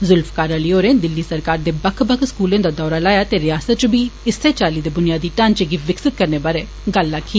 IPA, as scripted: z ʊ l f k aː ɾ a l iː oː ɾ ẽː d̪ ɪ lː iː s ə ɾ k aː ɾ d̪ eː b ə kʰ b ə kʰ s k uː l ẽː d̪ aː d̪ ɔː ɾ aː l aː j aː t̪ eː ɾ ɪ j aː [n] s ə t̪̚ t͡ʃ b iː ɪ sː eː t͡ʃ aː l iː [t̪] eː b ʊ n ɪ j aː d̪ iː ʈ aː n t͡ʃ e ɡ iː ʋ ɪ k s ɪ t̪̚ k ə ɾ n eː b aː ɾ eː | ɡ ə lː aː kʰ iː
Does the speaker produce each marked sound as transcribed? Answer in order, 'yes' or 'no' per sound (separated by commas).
no, no